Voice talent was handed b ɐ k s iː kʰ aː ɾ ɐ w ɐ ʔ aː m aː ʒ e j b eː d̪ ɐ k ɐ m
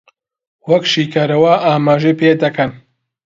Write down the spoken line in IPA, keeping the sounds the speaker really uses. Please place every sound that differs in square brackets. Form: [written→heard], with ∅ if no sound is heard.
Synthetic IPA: [b→w] ɐ k [s→ʃ] iː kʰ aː ɾ ɐ w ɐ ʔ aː m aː ʒ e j [b→p] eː d̪ ɐ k ɐ [m→n]